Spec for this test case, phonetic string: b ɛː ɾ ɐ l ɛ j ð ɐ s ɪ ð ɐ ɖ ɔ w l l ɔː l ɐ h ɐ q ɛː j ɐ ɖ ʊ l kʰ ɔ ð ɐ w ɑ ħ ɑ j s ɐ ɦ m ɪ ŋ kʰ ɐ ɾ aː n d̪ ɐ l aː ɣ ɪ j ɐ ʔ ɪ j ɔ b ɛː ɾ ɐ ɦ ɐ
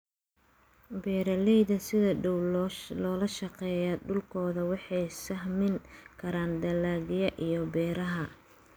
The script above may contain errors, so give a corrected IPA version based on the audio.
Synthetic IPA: b ɛː ɾ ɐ l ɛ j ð ɐ s ɪ ð ɐ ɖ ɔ w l l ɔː l ɐ ʃ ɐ q ɛː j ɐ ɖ ʊ l kʰ ɔː ð ɐ w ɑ ħ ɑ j s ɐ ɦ m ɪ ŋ kʰ ɐ ɾ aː n d̪ ɐ l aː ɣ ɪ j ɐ ʔ i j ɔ b ɛː ɾ ɐ ɦ ɐ